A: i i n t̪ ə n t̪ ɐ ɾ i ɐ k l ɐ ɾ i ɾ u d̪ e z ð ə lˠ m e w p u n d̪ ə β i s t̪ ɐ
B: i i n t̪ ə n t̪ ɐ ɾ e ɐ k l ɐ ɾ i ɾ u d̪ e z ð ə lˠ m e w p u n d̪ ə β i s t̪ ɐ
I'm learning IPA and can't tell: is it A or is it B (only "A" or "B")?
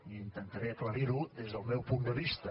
B